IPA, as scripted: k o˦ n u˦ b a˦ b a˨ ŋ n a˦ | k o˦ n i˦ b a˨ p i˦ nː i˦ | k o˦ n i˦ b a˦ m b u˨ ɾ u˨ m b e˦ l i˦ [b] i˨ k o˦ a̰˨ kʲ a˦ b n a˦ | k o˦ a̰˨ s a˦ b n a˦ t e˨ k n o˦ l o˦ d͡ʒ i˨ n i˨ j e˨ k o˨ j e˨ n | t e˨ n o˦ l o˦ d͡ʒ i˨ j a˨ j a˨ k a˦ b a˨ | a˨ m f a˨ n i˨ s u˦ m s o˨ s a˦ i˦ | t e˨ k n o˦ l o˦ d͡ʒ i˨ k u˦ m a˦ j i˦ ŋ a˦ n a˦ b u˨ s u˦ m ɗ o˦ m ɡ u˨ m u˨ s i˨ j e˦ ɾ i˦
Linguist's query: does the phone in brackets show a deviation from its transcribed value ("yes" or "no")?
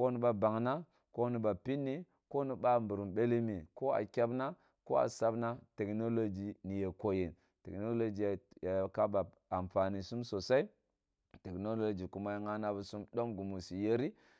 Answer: yes